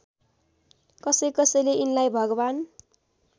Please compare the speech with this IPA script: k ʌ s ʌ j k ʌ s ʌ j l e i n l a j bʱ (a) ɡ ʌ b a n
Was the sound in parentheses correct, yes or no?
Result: no